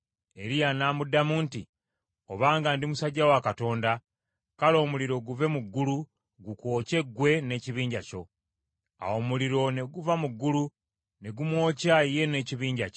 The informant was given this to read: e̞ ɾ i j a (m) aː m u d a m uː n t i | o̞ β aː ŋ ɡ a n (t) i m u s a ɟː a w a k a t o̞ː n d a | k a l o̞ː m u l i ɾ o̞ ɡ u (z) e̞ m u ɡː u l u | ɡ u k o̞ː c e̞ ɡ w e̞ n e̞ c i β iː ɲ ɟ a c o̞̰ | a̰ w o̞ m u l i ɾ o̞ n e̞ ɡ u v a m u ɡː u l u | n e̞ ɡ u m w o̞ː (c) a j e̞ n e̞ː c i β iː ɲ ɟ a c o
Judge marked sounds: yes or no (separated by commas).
no, no, no, yes